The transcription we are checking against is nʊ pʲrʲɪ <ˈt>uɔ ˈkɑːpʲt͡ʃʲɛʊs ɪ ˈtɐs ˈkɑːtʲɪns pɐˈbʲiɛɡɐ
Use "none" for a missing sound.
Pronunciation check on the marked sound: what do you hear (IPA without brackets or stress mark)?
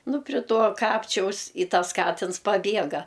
t